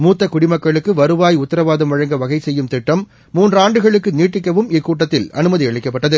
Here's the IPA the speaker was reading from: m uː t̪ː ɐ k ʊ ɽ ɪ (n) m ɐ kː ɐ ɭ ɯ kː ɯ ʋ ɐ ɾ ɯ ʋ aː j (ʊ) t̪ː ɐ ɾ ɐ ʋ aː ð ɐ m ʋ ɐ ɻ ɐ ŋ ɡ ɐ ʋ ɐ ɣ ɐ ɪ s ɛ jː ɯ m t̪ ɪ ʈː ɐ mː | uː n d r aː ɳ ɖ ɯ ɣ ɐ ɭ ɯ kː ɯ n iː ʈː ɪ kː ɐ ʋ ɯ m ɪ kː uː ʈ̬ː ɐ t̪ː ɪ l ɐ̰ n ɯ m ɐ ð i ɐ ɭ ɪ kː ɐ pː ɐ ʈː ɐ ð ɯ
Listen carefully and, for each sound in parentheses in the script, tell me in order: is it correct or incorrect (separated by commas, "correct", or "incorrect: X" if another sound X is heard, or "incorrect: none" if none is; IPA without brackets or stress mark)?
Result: incorrect: none, correct